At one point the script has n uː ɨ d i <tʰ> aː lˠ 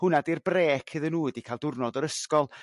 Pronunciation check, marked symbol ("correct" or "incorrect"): incorrect